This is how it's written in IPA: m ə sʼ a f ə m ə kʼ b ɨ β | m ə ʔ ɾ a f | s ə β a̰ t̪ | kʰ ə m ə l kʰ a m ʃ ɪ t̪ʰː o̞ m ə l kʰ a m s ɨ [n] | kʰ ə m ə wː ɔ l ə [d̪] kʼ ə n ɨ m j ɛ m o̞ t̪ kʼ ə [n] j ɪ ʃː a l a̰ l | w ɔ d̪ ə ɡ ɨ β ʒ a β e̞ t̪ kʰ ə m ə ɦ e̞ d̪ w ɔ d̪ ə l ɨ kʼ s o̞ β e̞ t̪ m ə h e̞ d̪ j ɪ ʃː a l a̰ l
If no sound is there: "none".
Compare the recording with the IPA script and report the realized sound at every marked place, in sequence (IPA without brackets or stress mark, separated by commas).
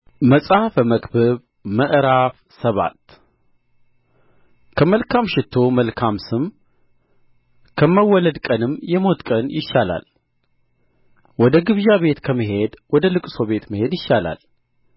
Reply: m, d̪, n